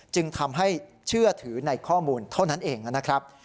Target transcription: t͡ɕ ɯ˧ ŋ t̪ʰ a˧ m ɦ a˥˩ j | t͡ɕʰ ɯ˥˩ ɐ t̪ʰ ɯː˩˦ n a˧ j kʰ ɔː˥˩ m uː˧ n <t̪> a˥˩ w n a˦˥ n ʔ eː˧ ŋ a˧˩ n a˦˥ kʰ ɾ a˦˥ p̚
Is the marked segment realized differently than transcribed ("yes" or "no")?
yes